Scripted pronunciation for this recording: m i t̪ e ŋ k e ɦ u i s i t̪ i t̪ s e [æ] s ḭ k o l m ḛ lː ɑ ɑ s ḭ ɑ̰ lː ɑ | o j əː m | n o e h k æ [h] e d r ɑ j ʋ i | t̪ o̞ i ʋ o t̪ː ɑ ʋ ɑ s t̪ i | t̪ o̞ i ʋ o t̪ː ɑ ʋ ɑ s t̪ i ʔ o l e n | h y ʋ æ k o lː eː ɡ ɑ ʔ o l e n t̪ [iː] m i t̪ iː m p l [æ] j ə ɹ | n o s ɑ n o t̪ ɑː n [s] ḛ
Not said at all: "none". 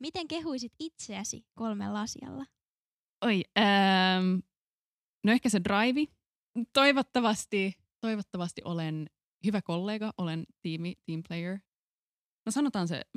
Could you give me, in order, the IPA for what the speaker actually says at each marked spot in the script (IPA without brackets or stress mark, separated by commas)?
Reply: æ, s, iː, e, s